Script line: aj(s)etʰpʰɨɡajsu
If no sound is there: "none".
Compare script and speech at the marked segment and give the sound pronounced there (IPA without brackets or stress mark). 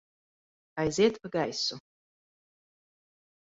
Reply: z